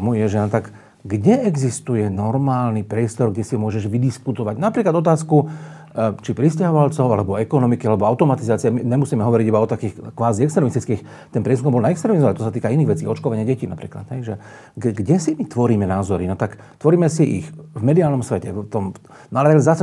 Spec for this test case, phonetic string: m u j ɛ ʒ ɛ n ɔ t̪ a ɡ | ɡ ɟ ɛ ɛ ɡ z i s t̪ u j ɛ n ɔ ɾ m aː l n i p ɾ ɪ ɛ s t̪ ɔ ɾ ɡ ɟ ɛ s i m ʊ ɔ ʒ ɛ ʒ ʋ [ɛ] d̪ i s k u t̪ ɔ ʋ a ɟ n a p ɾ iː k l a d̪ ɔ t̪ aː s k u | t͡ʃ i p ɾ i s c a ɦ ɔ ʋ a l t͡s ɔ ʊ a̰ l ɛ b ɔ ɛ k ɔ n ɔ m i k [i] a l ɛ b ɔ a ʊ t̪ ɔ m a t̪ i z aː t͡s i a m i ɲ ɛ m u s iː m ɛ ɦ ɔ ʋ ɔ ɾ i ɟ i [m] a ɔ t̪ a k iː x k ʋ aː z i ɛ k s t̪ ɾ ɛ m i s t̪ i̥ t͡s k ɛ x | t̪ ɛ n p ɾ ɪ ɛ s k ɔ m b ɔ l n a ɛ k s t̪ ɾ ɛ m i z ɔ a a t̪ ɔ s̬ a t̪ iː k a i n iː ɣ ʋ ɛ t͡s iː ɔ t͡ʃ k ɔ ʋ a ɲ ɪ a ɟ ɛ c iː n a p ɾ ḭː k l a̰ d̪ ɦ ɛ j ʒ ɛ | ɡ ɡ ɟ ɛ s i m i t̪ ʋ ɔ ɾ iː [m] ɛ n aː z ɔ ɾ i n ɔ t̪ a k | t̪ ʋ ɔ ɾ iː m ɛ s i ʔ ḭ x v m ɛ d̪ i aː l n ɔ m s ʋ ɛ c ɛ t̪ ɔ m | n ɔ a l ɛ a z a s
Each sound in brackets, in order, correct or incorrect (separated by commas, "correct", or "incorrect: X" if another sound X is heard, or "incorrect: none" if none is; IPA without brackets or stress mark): incorrect: i, correct, incorrect: b, correct